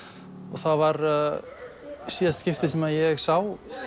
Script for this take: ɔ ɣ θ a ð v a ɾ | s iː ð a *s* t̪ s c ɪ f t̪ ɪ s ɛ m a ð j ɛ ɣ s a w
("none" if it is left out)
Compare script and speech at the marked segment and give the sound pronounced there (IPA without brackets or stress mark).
s